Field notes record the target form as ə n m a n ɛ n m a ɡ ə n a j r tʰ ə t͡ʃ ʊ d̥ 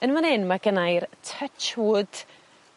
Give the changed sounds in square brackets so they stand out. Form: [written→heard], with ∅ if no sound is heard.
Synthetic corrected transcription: ə n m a n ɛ n m a ɡ ə n a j r tʰ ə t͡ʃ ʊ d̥